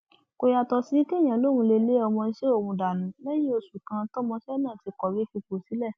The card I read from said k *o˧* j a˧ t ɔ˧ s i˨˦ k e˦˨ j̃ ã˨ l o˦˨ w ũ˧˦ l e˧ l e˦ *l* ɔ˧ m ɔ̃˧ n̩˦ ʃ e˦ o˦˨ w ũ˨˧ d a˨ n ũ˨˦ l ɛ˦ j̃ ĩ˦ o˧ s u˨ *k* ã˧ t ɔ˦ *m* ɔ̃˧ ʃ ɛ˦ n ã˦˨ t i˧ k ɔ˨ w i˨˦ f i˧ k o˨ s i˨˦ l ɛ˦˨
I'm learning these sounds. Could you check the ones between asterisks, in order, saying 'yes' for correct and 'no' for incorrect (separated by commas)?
yes, no, yes, yes